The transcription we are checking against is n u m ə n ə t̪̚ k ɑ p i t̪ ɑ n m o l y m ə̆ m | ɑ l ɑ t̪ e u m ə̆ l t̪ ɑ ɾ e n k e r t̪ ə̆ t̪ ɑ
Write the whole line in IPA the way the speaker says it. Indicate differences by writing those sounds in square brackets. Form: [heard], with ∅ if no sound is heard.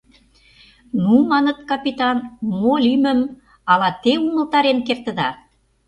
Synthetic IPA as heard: n u m [ɑ] n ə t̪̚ k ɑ p i t̪ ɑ n m o l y m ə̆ m | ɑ l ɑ t̪ e u m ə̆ l t̪ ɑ ɾ e n k e r t̪ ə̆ [d̪] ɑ